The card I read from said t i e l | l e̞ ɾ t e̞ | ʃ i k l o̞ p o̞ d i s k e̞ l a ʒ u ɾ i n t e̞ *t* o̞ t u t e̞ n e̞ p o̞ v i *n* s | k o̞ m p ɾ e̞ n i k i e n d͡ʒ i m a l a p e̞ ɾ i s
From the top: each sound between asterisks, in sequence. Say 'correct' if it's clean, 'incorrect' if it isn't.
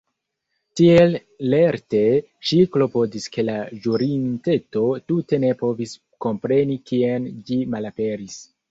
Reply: correct, incorrect: none

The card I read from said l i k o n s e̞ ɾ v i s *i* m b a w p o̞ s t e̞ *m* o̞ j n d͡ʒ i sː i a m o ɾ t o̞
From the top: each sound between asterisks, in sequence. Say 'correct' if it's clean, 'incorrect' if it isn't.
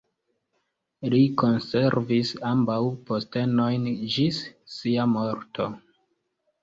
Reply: incorrect: a, incorrect: n

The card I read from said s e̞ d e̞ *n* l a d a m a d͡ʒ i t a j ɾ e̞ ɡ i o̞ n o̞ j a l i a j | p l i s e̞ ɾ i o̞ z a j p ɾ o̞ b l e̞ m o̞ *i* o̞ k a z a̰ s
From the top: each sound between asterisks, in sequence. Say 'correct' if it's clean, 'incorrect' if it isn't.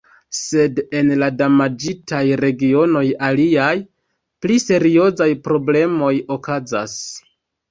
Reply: correct, incorrect: j

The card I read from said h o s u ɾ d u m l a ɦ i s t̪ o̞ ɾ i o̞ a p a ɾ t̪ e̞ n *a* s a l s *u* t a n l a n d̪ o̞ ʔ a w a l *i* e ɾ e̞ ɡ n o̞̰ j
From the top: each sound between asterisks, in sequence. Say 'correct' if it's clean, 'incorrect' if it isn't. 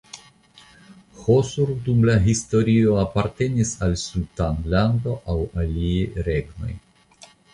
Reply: incorrect: i, correct, correct

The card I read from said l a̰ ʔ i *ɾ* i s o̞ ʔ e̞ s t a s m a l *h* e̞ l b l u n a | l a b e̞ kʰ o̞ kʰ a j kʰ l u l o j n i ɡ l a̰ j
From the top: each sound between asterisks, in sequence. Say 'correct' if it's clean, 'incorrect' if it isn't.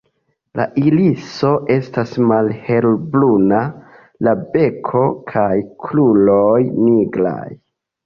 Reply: incorrect: l, correct

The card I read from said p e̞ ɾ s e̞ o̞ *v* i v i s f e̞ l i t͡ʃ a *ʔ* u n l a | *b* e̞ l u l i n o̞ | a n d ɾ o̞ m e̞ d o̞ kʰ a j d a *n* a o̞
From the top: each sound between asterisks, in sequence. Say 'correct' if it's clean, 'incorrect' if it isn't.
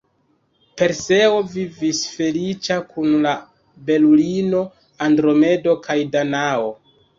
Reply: correct, incorrect: k, correct, correct

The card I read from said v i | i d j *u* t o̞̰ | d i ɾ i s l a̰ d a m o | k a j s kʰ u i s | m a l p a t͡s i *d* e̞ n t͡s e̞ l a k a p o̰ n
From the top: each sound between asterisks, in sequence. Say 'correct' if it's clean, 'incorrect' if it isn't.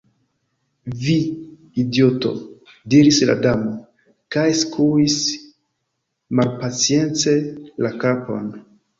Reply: incorrect: o, incorrect: none

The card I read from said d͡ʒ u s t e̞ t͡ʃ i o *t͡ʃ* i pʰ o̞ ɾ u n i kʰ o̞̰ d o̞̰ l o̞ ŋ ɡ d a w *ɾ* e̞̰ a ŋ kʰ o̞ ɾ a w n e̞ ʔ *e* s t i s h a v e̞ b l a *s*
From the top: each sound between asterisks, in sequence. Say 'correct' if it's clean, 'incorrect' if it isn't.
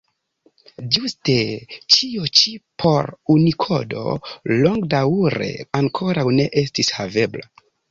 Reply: correct, correct, correct, incorrect: none

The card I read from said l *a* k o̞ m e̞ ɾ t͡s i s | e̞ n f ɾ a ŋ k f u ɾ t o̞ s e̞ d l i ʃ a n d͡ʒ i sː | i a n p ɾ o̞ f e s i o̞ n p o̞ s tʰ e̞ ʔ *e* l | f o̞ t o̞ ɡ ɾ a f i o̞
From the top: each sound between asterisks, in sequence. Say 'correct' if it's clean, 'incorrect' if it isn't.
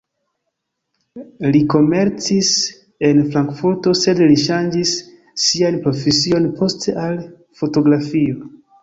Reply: incorrect: i, incorrect: a

